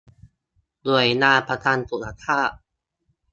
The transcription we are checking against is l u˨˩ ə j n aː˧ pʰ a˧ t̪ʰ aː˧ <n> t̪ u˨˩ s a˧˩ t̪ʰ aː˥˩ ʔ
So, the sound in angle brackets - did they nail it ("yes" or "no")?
yes